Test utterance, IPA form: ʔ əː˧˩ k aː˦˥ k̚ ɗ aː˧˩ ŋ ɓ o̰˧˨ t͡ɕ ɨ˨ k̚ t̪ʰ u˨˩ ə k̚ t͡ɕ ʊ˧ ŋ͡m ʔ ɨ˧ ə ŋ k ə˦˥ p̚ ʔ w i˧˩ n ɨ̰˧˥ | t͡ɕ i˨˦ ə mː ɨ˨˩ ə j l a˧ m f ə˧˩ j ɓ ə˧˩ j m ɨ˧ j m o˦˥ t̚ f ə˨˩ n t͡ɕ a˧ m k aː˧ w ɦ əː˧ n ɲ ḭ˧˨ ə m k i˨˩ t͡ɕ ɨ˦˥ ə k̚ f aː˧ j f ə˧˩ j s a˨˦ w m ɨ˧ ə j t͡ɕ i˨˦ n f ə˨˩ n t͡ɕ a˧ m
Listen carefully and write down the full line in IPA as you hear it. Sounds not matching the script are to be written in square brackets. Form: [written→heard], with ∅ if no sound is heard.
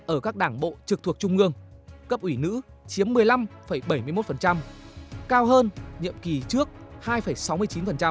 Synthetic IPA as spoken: ʔ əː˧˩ k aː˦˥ k̚ ɗ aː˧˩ ŋ ɓ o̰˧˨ t͡ɕ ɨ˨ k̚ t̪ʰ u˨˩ ə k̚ t͡ɕ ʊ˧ ŋ͡m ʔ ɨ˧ ə ŋ k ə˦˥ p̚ ʔ w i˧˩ n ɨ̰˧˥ | t͡ɕ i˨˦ ə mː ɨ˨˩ ə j l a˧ m f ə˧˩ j ɓ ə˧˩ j m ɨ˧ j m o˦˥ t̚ f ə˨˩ n t͡ɕ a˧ m k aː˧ w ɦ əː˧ n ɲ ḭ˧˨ ə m k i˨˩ t͡ɕ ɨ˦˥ ə k̚ [f→h] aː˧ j f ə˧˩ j s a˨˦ w m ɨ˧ ə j t͡ɕ i˨˦ n f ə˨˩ n t͡ɕ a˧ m